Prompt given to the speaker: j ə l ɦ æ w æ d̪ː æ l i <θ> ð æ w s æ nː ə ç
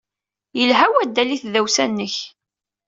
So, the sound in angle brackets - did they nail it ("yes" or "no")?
yes